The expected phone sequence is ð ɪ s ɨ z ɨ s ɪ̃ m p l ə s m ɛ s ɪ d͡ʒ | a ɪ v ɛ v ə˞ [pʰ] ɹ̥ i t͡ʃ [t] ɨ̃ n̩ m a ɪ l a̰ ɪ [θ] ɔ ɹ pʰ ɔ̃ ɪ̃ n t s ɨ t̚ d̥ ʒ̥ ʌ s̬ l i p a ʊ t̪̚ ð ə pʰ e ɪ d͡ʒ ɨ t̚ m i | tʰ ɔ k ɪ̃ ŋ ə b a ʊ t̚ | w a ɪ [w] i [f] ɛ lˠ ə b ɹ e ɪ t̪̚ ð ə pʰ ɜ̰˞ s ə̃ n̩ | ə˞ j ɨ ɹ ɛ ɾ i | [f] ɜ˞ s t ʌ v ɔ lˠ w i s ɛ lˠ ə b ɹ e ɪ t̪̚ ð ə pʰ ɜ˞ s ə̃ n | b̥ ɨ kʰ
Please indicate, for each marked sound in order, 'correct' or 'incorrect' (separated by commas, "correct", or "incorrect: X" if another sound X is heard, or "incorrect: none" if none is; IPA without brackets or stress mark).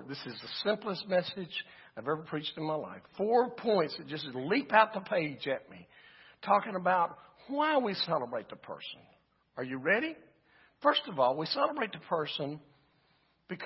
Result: correct, correct, incorrect: f, correct, incorrect: s, correct